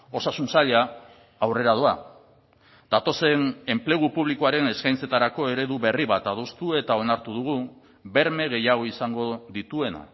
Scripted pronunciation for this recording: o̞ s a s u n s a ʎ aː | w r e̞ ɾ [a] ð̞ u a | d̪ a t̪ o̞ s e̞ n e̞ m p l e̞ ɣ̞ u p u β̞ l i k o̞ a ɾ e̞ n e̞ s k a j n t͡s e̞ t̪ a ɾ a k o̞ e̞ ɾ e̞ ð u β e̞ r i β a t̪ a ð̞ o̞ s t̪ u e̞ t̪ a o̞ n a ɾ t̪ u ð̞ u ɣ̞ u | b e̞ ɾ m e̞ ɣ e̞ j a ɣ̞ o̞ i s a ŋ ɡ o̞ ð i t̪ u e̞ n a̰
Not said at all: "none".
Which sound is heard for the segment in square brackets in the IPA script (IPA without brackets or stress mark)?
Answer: a